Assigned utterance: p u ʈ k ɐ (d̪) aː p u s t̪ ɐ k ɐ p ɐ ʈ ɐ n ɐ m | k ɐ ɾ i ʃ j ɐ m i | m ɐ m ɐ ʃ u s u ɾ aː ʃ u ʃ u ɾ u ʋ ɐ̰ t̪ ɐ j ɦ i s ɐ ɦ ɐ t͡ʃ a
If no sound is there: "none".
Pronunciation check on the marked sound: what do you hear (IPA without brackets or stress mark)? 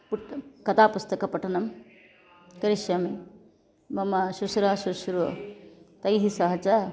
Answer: t̪